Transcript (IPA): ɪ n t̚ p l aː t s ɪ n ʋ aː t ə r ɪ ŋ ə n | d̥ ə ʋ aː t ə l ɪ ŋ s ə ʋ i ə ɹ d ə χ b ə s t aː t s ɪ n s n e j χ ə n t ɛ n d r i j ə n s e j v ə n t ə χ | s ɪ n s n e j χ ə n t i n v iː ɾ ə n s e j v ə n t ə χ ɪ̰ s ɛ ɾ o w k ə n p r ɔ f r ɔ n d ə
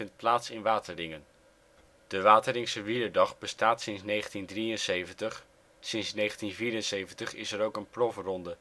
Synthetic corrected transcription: ɪ n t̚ p l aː t s ɪ n ʋ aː t ə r ɪ ŋ ə n | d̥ ə ʋ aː t ə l ɪ ŋ s ə ʋ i ə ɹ d ɑ χ b ə s t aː t s ɪ n s n e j χ ə n t i n d r i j ə n s e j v ə n t ə χ | s ɪ n s n e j χ ə n t i n v iː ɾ ə n s e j v ə n t ə χ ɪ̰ s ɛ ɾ o w k ə n p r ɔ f r ɔ n d ə